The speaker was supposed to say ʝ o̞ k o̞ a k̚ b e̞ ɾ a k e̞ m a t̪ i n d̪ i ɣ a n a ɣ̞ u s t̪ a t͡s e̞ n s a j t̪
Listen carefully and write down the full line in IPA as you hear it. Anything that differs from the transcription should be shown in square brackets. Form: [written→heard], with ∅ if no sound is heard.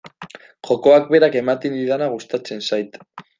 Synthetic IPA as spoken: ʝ o̞ k o̞ a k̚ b e̞ ɾ a k e̞ m a t̪ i n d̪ i [ɣ→ð] a n a ɣ̞ u s t̪ a t͡s e̞ n s a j t̪